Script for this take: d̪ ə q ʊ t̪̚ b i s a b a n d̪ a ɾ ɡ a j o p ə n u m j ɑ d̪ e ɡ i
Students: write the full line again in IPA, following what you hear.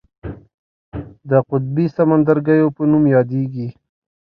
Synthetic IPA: d̪ ə q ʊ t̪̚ b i s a m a n d̪ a ɾ ɡ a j o p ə n u m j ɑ d̪ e ɡ i